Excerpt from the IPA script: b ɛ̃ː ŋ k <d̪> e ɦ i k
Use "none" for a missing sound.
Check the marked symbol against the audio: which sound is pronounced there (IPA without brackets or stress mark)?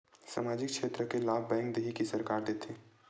d̪